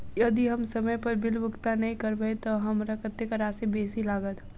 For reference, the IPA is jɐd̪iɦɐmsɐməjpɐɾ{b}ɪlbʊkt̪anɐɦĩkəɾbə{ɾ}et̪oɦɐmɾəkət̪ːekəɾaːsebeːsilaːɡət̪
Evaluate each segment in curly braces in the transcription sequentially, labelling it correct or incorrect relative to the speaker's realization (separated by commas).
correct, incorrect